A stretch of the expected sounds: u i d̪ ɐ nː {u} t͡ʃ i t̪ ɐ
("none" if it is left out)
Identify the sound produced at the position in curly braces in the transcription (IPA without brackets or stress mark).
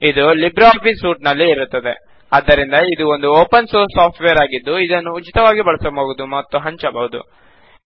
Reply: uː